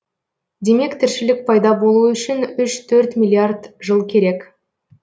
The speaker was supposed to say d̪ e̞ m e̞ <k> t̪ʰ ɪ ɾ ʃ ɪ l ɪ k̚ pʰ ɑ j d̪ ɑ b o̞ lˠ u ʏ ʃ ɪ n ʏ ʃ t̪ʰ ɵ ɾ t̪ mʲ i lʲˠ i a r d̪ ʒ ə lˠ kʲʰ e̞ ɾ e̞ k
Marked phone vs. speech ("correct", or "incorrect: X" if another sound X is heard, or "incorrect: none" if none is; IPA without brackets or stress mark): correct